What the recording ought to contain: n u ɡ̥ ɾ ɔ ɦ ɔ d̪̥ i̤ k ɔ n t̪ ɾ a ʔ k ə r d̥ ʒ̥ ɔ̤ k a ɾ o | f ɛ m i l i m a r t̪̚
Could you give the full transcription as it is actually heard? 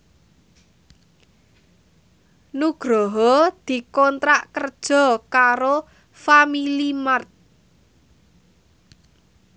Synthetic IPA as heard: n u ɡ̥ ɾ ɔ ɦ ɔ d̪̥ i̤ k ɔ n t̪ ɾ a ʔ k ə r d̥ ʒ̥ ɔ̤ k a ɾ o | f a m i l i m a r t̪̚